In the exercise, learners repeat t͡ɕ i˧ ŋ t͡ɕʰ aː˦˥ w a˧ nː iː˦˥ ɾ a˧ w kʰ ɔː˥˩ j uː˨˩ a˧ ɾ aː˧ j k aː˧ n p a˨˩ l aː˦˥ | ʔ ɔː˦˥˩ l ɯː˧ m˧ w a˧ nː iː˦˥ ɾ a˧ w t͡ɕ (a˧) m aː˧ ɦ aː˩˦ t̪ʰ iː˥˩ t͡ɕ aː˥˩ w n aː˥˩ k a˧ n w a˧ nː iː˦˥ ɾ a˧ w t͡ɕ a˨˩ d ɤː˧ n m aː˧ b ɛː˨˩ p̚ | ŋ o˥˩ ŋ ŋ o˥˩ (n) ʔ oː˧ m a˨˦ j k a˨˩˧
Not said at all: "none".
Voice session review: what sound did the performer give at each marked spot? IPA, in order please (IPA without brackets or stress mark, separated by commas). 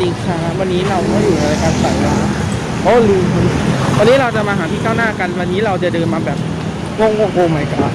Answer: a˨˩, ŋ